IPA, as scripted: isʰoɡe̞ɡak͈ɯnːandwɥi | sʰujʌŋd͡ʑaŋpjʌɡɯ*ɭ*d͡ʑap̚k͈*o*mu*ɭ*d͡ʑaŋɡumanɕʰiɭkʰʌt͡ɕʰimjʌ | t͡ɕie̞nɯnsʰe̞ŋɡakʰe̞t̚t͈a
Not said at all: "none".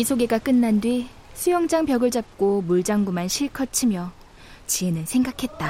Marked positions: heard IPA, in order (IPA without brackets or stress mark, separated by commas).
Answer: ɭ, o, ɭ